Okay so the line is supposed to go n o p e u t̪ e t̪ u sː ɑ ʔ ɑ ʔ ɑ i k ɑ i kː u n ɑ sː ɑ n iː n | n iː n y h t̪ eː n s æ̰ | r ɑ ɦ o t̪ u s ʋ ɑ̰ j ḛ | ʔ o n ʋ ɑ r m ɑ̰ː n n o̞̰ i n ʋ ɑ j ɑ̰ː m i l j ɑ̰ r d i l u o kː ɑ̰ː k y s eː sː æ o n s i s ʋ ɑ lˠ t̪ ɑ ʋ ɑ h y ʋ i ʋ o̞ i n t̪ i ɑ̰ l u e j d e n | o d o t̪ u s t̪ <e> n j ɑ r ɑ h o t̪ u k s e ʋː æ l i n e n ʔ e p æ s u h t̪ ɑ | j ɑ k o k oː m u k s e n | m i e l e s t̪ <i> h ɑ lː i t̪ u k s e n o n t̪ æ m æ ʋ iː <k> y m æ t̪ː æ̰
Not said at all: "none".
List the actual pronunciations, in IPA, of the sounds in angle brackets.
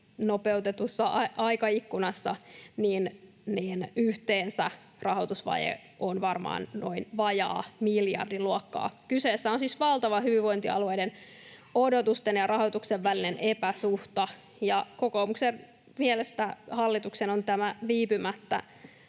e, æ, p

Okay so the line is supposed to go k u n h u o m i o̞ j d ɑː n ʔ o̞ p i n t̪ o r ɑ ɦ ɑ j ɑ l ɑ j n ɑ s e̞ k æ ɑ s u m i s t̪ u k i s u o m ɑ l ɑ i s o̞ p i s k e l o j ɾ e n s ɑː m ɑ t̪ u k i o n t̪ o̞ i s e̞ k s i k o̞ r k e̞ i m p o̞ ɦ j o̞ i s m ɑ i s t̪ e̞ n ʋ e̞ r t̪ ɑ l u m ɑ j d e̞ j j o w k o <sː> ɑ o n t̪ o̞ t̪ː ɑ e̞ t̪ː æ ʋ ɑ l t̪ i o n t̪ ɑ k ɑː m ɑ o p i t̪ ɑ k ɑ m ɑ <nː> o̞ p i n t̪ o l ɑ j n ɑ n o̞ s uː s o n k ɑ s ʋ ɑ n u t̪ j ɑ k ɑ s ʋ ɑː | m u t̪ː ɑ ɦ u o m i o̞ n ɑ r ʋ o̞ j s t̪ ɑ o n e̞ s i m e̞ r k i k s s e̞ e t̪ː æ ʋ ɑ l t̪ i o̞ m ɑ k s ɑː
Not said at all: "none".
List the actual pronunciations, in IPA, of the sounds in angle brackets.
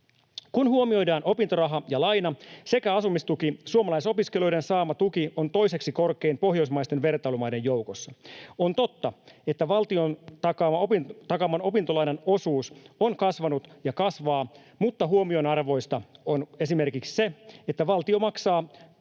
sː, n

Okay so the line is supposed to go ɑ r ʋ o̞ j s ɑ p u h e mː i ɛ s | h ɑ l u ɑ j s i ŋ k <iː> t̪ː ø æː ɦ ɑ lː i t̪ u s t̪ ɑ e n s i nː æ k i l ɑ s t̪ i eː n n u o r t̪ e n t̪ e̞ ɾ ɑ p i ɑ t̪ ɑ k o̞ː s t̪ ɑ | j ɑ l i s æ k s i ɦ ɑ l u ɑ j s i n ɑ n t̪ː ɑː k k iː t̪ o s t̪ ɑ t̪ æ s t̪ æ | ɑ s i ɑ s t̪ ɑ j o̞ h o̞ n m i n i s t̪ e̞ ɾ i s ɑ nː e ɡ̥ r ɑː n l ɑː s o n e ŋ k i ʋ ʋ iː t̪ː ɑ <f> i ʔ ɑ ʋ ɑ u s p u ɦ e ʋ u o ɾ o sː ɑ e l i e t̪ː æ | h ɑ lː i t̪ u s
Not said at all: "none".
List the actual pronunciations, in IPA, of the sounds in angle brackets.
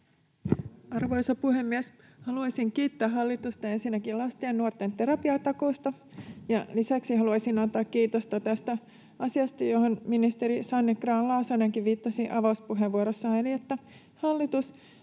iː, s

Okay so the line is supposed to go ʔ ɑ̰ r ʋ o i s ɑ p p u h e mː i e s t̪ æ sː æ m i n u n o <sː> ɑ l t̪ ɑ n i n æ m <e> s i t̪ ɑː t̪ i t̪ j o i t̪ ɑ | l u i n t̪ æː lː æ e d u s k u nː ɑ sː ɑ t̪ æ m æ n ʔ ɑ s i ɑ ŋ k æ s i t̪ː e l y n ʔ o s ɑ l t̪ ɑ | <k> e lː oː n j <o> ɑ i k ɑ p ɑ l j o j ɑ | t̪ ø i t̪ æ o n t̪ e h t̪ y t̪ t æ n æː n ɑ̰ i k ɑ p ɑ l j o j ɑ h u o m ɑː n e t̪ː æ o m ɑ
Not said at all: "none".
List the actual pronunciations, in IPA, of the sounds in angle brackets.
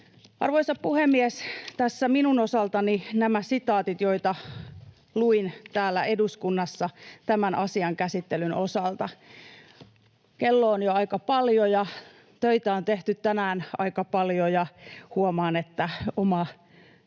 s, æ, k, o

